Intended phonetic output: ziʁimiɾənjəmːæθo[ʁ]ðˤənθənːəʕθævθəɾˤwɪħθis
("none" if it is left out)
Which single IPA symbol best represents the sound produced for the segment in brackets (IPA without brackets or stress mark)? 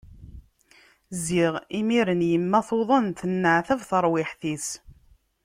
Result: none